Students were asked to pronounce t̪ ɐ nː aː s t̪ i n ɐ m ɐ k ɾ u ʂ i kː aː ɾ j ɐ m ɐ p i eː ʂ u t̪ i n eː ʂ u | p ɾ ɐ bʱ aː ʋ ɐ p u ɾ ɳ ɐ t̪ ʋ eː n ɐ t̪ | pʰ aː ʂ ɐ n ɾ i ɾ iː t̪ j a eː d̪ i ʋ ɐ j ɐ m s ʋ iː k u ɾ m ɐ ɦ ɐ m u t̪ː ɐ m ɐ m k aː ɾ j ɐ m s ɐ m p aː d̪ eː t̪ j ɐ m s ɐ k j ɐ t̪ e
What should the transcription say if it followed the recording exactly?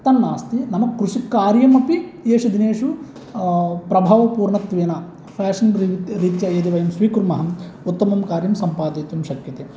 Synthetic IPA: t̪ ɐ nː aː s t̪ i n ɐ m ɐ k ɾ u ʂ i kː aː ɾ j ɐ m ɐ p i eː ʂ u d̪ i n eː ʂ u | p ɾ ɐ bʱ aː ʋ ɐ p uː ɾ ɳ ɐ t̪ ʋ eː n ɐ | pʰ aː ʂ ɐ n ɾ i ɾ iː t̪ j ɐ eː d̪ i ʋ ɐ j ɐ m s ʋ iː k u ɾ m ɐ ɦ ɐ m u t̪ː ɐ m ɐ m k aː ɾ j ɐ m s ɐ m p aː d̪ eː t̪ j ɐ m ʃ ɐ k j ɐ t̪ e